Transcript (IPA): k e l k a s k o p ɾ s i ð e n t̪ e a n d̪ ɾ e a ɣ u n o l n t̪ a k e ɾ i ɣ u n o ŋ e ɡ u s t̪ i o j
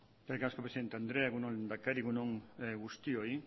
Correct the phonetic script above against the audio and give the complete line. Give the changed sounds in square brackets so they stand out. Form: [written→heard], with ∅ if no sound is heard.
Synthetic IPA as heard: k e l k a s k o p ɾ s i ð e n t̪ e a n d̪ ɾ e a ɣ u n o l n [t̪→d̪] a k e ɾ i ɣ u n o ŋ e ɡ u s t̪ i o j

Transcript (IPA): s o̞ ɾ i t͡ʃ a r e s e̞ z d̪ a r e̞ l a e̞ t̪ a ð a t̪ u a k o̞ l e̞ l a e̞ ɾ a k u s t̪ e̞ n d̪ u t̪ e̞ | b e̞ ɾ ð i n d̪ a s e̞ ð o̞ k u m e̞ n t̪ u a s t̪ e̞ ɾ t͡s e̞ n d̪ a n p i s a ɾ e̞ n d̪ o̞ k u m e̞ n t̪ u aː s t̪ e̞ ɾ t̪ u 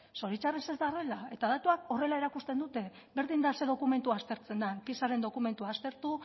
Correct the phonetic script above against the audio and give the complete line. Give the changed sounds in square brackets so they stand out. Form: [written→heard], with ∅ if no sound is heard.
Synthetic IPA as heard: s o̞ ɾ i t͡ʃ a r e s e̞ z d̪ a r e̞ l a e̞ t̪ a ð a t̪ u a k o̞ [l→r] e̞ l a e̞ ɾ a k u s t̪ e̞ n d̪ u t̪ e̞ | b e̞ ɾ ð i n d̪ a s e̞ ð o̞ k u m e̞ n t̪ u a s t̪ e̞ ɾ t͡s e̞ n d̪ a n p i s a ɾ e̞ n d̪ o̞ k u m e̞ n t̪ u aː s t̪ e̞ ɾ t̪ u

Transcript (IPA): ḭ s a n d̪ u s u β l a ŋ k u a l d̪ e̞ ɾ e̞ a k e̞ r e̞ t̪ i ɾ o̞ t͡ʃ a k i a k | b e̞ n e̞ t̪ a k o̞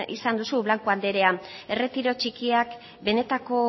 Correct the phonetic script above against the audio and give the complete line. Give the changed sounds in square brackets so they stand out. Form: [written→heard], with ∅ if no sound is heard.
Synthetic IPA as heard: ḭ s a n d̪ u s u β l a ŋ k u a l d̪ e̞ ɾ e̞ a [k→∅] e̞ r e̞ t̪ i ɾ o̞ t͡ʃ [a→i] k i a k | b e̞ n e̞ t̪ a k o̞

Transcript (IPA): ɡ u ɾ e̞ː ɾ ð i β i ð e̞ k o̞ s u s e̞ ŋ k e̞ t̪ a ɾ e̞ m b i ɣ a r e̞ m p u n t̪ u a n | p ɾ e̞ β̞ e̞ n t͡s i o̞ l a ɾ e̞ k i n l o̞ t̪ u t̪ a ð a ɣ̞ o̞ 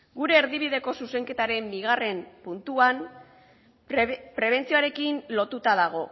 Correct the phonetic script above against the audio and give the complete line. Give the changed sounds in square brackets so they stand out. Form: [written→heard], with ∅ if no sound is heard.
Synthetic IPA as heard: ɡ u ɾ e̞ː ɾ ð i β i ð e̞ k o̞ s u s e̞ ŋ k e̞ t̪ a ɾ e̞ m b i ɣ a r e̞ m p u n t̪ u a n | p ɾ e̞ β̞ e̞ n t͡s i o̞ [l→∅] a ɾ e̞ k i n l o̞ t̪ u t̪ a ð a ɣ̞ o̞

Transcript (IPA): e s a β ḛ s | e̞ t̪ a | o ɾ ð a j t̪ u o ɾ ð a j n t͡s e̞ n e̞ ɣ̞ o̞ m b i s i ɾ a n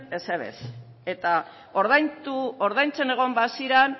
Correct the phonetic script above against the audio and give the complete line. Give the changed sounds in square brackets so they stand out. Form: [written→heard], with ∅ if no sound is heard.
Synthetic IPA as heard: e s [a→e] β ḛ s | e̞ t̪ a | o ɾ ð a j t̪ u o ɾ ð a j n t͡s e̞ n e̞ ɣ̞ o̞ m b [i→a] s i ɾ a n

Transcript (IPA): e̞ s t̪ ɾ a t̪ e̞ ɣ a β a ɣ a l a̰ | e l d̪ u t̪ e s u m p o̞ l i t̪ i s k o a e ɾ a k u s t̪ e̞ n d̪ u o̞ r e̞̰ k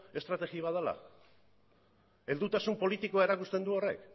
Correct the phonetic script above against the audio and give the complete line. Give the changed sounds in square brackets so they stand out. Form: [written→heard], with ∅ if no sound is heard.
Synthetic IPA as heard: e̞ s t̪ ɾ a t̪ e̞ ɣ [a→i] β a [ɣ→ð] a l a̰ | e l d̪ u t̪ [e→a] s u m p o̞ l i t̪ i [s→∅] k o a e ɾ a k u s t̪ e̞ n d̪ u o̞ r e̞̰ k

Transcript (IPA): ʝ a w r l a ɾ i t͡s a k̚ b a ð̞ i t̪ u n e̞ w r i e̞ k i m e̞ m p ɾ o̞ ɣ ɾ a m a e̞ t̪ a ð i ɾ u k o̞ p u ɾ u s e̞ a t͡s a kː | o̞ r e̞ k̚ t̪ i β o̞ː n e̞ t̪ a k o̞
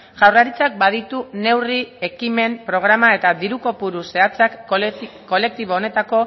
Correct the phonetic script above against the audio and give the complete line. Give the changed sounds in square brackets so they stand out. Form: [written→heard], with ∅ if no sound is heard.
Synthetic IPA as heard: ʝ a w r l a ɾ i t͡s a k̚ b a ð̞ i t̪ u n e̞ w r i e̞ k i m e̞ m p ɾ o̞ ɣ ɾ a m a e̞ t̪ a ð i ɾ u k o̞ p u ɾ u s e̞ a t͡s a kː | o̞ [r→l] e̞ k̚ t̪ i β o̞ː n e̞ t̪ a k o̞

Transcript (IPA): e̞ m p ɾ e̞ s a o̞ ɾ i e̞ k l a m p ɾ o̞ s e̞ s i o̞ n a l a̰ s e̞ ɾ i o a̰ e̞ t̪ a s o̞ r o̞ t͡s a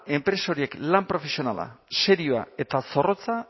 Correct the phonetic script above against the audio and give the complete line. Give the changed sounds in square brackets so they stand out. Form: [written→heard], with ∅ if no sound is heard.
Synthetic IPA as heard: e̞ m p ɾ e̞ s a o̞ ɾ i e̞ k l a m p ɾ o̞ [s→f] e̞ s i o̞ n a l a̰ s e̞ ɾ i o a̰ e̞ t̪ a s o̞ r o̞ t͡s a

